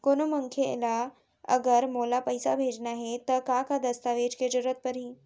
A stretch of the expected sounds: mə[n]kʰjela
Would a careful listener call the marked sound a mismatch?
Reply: yes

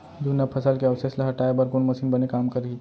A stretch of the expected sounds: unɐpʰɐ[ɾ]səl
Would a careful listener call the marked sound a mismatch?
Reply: yes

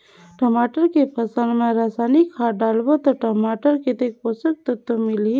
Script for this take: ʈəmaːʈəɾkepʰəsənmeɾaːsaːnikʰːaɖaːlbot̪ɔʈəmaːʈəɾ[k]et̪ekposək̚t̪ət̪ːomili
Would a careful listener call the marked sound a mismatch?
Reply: no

